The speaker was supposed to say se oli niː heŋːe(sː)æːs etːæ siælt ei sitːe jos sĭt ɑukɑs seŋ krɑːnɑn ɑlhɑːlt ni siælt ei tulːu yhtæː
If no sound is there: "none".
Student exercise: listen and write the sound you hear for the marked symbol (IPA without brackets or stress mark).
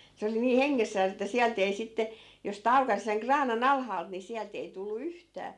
sː